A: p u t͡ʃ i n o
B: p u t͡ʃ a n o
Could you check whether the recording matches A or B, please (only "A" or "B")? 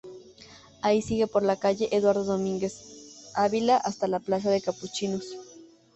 A